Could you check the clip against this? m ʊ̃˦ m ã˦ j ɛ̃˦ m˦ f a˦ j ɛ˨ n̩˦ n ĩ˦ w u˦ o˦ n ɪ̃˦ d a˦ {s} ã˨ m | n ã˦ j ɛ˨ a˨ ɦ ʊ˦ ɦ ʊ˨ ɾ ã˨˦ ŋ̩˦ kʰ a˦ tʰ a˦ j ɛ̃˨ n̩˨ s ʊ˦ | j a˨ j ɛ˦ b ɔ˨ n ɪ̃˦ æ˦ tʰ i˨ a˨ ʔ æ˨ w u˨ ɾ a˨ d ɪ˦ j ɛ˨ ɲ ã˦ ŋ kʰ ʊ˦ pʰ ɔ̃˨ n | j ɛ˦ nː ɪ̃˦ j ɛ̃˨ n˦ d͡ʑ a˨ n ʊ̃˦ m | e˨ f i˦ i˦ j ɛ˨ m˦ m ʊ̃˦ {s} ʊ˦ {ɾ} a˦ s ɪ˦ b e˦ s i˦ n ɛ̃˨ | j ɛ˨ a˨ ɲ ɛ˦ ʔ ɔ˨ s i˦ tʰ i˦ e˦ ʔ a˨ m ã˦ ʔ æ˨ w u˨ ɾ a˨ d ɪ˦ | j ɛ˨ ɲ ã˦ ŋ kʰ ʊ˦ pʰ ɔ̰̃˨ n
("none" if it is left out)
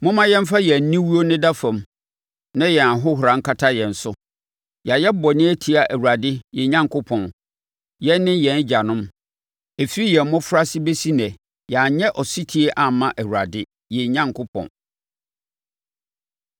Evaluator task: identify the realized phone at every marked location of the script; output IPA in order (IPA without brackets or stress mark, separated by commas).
f, f, ɾ